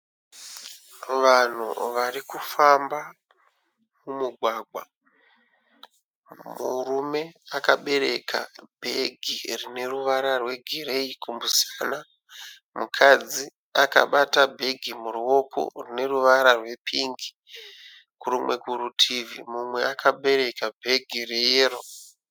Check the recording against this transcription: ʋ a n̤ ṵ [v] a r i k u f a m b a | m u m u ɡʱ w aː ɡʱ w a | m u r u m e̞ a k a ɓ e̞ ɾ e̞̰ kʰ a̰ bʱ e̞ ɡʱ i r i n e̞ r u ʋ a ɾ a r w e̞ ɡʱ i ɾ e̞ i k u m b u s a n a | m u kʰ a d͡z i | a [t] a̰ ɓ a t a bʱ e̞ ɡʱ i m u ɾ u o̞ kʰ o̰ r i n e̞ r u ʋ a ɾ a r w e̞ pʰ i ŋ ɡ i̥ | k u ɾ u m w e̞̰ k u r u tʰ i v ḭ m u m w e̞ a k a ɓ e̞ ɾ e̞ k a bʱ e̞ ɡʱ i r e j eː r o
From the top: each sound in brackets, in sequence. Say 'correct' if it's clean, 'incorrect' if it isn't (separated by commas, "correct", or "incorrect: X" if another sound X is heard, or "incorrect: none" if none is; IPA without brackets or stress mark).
incorrect: ʋ, incorrect: k